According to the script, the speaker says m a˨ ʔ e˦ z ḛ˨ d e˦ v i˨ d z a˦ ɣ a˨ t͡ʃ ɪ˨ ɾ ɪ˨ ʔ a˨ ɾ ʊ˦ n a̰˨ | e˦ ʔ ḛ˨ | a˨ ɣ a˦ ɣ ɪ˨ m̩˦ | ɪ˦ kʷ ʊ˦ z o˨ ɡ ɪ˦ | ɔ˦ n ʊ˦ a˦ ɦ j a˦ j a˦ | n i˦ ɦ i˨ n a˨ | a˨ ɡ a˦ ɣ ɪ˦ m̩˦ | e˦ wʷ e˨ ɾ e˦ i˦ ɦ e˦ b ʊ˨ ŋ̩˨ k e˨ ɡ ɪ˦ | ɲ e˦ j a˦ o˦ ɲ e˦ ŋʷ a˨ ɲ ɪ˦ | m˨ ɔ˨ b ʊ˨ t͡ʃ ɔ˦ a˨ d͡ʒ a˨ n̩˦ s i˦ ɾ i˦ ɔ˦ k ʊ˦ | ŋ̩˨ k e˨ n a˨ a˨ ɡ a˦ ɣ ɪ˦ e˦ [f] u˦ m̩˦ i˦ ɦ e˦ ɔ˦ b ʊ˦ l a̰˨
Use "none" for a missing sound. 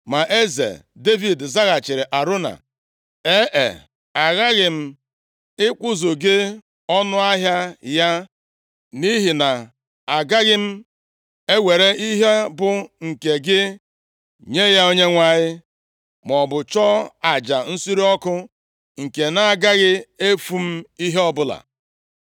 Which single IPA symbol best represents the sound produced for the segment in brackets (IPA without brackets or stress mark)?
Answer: f